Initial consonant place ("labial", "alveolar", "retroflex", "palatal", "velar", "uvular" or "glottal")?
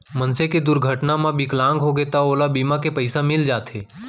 labial